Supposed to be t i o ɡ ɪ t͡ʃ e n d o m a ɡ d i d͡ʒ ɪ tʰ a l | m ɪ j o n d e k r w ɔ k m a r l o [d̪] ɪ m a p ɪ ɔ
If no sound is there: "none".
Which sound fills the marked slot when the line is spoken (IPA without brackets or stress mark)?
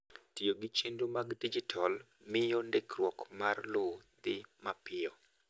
d̪